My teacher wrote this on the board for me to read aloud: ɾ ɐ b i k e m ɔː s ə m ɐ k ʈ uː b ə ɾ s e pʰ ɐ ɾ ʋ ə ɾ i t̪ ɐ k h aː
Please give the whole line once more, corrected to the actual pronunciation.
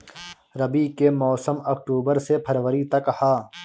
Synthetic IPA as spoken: ɾ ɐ b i k e m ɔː s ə m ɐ k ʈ uː b ə ɾ s e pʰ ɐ ɾ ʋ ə ɾ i t̪ ɐ k h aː